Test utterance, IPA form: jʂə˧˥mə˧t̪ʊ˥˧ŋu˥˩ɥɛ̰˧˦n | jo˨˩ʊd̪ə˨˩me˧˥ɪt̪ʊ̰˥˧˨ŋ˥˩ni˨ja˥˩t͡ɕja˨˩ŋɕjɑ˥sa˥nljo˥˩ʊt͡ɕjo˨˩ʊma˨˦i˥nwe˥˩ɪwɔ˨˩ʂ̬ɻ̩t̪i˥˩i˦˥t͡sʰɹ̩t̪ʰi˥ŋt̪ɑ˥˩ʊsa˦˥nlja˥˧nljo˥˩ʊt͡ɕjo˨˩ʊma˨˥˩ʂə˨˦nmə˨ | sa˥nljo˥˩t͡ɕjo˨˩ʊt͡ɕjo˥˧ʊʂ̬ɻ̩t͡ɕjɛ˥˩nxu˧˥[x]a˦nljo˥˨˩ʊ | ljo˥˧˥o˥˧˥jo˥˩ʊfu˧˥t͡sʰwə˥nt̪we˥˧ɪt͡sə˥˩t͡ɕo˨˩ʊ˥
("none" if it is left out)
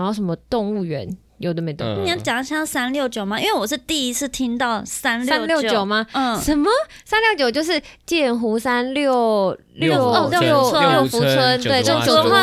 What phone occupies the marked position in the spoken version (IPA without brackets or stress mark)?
s